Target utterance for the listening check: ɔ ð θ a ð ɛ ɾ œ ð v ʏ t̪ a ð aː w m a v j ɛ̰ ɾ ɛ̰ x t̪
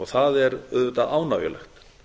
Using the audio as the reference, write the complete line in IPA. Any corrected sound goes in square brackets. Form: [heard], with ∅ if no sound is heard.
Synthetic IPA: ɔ [ɣ] θ a ð ɛ ɾ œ ð v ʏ t̪ a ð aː w [n] a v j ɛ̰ [l] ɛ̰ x t̪